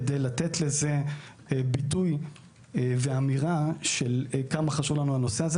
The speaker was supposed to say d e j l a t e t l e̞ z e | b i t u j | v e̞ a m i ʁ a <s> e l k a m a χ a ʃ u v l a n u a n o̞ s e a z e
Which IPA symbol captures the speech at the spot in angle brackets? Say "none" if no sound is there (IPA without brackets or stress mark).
ʃ